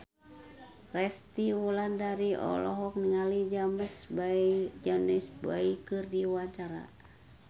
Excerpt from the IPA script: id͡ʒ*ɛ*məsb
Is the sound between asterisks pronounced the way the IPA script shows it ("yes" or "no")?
no